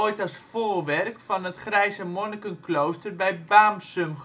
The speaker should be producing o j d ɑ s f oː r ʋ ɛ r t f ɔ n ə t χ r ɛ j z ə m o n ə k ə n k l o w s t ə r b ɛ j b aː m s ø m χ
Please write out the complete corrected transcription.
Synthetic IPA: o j t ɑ s f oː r ʋ ɛ r k f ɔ n ə t χ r ɛ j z ə m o n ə k ə n k l o w s t ə r b ɛ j b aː m s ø m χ